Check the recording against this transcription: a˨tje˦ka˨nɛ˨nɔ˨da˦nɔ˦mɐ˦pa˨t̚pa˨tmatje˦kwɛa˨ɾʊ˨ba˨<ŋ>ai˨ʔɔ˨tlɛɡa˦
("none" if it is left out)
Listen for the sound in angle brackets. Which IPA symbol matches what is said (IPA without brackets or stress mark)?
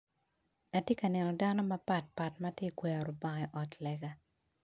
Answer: ŋ